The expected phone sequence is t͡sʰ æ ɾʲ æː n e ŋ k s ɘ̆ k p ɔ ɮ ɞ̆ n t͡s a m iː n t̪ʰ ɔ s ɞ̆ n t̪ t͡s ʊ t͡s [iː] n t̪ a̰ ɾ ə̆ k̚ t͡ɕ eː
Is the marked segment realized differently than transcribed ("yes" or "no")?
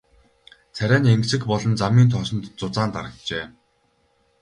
yes